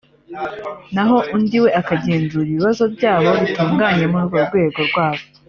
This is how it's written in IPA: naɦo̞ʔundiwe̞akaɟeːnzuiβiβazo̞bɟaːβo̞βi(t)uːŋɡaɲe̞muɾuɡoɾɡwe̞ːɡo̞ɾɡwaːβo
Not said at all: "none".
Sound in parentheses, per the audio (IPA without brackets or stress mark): t